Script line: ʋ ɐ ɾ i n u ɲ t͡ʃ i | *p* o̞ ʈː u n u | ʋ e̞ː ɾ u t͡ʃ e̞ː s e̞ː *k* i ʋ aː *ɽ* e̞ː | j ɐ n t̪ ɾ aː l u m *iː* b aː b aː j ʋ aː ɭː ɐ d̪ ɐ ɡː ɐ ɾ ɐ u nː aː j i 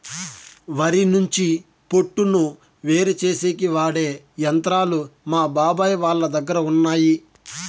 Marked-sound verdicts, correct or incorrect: correct, correct, correct, incorrect

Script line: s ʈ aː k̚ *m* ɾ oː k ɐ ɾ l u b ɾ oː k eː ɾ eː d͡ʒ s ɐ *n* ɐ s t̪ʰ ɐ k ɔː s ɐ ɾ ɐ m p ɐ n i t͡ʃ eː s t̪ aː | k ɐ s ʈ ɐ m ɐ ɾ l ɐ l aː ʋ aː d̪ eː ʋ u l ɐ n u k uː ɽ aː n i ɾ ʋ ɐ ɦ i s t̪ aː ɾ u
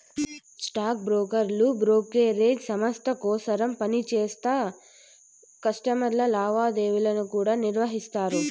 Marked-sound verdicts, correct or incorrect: incorrect, incorrect

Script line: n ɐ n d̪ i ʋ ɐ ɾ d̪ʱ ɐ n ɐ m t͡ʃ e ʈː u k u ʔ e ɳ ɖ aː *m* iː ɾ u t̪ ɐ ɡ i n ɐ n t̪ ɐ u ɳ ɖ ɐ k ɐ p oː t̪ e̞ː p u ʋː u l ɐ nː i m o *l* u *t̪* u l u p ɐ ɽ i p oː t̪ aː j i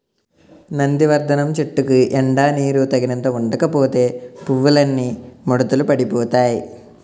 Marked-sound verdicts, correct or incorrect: incorrect, incorrect, correct

